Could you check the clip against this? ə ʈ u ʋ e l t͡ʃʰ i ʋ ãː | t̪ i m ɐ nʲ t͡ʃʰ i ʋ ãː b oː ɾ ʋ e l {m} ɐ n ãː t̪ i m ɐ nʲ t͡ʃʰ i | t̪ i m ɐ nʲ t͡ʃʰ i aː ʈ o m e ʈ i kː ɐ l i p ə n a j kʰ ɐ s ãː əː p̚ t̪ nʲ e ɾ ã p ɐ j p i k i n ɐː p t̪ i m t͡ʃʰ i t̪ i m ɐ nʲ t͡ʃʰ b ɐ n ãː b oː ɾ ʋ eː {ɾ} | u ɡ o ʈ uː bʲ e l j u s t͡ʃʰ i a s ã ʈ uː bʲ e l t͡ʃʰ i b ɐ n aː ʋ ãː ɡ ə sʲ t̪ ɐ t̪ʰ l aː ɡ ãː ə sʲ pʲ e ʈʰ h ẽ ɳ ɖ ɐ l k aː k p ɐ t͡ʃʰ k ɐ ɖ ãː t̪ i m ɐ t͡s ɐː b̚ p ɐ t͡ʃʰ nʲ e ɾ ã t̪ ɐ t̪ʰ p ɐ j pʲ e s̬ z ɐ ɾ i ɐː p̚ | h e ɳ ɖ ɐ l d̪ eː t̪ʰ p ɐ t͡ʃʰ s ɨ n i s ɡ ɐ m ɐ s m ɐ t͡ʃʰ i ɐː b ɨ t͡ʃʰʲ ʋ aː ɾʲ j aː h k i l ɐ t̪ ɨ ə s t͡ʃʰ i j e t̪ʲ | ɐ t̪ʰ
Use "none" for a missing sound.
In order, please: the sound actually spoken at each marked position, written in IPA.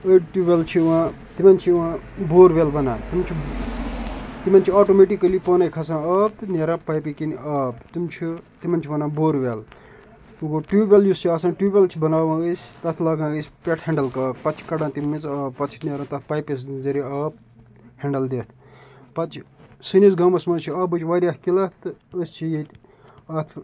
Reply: b, l

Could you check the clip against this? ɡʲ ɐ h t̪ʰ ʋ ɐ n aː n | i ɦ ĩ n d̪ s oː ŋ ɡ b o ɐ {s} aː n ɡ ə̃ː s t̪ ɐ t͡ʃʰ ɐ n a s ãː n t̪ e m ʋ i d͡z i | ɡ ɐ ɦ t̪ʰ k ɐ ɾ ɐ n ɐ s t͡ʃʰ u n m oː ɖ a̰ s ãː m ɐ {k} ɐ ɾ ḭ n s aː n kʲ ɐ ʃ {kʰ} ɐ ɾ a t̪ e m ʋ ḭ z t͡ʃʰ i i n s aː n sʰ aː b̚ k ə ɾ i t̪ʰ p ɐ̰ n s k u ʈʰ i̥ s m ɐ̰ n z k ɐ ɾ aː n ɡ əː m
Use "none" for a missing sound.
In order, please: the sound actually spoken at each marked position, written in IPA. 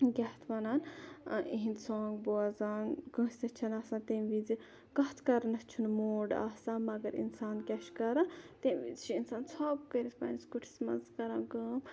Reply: z, ɡ, k

